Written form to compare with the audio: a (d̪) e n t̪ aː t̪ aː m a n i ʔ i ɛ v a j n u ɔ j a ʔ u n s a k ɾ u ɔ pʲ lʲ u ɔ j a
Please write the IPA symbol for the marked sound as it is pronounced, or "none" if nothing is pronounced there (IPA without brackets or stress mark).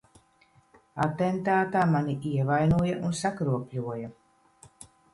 t̪